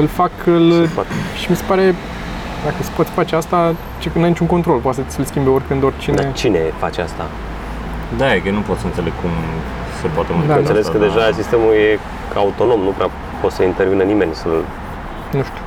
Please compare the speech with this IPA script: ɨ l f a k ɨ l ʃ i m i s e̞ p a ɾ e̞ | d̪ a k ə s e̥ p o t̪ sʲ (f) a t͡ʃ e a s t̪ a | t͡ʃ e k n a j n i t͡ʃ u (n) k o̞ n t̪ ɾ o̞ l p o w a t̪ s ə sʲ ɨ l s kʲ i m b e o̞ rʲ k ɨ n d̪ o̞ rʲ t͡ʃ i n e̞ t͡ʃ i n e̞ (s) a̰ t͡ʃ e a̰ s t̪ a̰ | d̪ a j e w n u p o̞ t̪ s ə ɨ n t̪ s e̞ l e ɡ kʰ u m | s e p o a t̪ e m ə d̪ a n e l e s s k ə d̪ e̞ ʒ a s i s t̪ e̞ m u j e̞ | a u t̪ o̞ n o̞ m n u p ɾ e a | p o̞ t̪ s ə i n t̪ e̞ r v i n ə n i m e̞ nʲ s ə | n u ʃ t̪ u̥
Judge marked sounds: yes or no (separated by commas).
yes, no, no